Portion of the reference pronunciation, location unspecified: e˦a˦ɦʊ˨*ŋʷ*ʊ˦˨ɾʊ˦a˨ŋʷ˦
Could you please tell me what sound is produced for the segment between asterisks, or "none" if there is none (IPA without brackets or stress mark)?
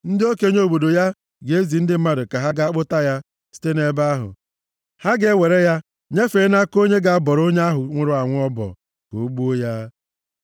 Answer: ŋʷ